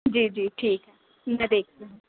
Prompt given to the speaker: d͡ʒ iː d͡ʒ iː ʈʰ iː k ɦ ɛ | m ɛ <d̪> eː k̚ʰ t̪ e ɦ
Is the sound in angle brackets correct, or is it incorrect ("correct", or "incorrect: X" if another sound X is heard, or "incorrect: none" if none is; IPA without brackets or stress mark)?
correct